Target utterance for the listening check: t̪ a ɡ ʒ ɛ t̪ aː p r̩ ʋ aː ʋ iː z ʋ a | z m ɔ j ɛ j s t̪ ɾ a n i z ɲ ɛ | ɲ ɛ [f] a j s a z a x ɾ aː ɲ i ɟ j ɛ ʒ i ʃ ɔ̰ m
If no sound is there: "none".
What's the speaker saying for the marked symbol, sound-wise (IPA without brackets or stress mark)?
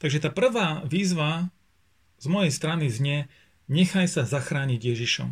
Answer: x